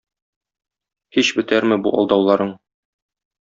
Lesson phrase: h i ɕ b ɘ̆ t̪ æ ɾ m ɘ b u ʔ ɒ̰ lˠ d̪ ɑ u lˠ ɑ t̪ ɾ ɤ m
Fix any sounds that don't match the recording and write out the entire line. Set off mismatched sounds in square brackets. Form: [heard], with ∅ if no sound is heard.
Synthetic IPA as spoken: h i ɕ b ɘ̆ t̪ æ ɾ m ɘ b u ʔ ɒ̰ lˠ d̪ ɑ [w] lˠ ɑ [∅] ɾ ɤ [ɴ]